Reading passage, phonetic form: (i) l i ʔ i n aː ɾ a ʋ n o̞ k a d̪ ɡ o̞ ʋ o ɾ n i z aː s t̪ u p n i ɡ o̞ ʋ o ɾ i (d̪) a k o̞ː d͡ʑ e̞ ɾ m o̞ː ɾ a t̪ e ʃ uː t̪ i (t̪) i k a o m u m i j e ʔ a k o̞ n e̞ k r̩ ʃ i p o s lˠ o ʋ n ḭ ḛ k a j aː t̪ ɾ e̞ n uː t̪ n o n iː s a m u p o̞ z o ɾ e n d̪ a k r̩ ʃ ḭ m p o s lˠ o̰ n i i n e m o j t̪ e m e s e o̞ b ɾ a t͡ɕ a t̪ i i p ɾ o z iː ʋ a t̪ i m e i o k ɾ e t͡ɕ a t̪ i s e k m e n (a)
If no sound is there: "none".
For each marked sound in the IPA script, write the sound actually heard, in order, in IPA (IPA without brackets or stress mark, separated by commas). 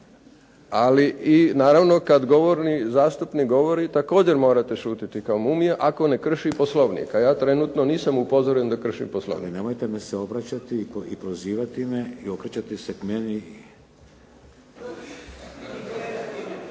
a, t̪, t̪, i